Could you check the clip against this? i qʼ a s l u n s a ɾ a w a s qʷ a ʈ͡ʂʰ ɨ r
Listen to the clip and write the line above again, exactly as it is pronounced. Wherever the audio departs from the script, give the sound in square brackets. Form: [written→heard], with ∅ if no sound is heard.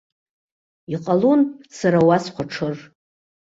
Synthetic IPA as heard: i qʼ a [s→∅] l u n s a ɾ a w a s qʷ a ʈ͡ʂʰ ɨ r